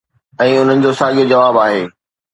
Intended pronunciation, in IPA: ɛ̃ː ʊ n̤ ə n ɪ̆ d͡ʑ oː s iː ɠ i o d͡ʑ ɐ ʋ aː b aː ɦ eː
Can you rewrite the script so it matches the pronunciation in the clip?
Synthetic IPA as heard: ɛ̃ː ʊ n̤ ə n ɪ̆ d͡ʑ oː s aː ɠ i o d͡ʑ ɐ ʋ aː b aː ɦ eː